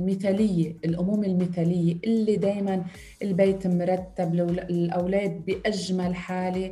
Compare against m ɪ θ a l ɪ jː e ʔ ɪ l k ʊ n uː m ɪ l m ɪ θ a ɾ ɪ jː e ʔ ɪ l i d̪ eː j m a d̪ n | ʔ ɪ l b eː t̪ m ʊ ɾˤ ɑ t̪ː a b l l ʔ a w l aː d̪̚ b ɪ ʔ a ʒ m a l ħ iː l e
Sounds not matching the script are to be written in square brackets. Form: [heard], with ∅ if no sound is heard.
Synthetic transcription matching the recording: m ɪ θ a l ɪ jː e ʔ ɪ l [ʔ] ʊ [m] uː m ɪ l m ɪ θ a [l] ɪ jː e ʔ ɪ [lː] i d̪ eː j m a [∅] n | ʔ ɪ l b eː t̪ m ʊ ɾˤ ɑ t̪ː a b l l ʔ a w l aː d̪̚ b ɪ ʔ a ʒ m a l ħ [aː] l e